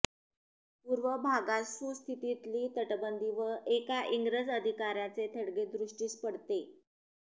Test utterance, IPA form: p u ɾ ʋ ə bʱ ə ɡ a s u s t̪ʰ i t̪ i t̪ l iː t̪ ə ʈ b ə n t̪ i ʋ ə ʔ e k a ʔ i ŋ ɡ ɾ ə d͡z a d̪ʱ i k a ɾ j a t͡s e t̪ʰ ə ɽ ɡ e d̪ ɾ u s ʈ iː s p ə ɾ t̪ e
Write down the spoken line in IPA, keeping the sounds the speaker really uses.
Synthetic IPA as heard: p u ɾ ʋ ə bʱ a ɡ a s u s t̪ʰ i t̪ i t̪ l iː t̪ ə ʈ b ə n d̪ i ʋ ə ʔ e k a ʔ i ŋ ɡ ɾ ə d͡z ə d̪ʱ i k a ɾ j a t͡s e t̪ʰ ə ɽ ɡ e d̪ ɾ u ʂ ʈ iː s p ə ɽ t̪ e